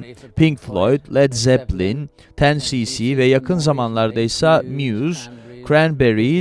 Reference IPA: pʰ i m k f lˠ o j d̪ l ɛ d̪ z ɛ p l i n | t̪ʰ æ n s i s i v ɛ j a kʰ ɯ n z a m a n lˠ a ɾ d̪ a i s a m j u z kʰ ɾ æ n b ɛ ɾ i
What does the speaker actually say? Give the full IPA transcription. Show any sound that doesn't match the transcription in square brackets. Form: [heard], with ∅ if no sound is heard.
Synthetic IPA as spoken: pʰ i [ŋ] k f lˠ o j d̪ l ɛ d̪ z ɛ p l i n | t̪ʰ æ n s i s i v ɛ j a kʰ ɯ n z a m a n lˠ a ɾ d̪ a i s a m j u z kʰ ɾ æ n b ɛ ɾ i